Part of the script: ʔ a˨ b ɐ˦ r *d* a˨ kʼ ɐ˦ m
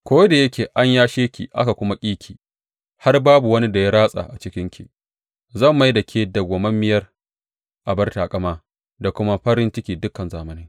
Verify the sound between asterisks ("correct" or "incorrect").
incorrect